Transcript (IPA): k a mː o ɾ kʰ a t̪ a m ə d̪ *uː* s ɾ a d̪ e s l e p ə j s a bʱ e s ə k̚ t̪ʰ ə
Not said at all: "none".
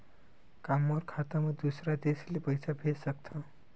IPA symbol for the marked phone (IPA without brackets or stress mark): u